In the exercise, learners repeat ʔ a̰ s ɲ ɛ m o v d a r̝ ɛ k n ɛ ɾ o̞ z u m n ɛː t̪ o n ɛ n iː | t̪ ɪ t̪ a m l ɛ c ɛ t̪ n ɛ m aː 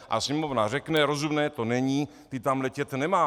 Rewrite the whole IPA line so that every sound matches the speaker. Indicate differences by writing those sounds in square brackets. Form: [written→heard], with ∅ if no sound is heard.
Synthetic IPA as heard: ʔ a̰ s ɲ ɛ m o v [d→n] a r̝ ɛ k n ɛ ɾ o̞ z u m n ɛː t̪ o n ɛ [n→ɲ] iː | t̪ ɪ t̪ a m l ɛ c ɛ t̪ n ɛ m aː